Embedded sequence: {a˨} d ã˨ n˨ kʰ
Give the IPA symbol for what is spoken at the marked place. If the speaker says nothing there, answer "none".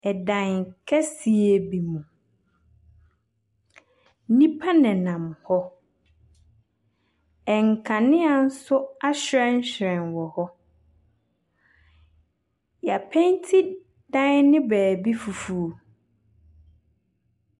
ɛ˨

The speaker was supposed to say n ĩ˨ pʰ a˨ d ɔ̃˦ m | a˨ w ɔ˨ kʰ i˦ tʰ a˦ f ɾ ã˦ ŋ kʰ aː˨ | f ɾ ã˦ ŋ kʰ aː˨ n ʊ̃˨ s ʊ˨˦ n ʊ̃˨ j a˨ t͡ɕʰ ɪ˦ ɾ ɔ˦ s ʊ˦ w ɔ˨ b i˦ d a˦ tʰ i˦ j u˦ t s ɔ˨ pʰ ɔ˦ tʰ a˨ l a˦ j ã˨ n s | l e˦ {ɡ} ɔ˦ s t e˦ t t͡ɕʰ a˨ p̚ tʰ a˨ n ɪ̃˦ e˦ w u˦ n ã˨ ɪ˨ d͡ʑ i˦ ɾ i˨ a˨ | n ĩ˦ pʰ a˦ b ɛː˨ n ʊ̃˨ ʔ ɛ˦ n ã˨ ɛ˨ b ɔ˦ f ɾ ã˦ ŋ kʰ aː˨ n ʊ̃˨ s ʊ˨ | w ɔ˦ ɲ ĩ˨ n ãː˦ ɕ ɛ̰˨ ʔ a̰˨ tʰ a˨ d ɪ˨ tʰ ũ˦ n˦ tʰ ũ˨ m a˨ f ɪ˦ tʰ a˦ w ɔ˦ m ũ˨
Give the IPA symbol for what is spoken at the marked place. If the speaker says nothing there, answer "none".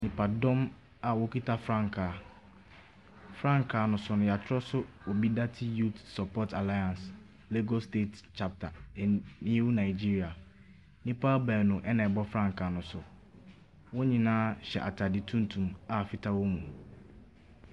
ɡ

